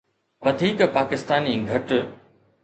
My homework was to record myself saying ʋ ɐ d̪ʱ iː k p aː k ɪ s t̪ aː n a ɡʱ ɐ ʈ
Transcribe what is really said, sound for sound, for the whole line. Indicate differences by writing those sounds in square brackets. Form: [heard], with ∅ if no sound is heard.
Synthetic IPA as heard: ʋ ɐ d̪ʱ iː k p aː k ɪ s t̪ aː n [i] ɡʱ ɐ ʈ